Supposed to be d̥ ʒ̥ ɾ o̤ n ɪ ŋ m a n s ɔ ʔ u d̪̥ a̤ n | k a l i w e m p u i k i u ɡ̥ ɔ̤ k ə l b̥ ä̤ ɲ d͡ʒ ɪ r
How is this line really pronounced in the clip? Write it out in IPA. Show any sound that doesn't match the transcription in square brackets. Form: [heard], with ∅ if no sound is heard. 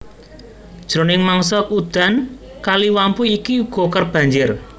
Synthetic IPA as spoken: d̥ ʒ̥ ɾ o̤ n ɪ ŋ m a [ŋ] s ɔ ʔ u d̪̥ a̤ n | k a l i w [a] m p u i k i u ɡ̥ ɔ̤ k ə [r] b̥ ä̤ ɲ d͡ʒ ɪ r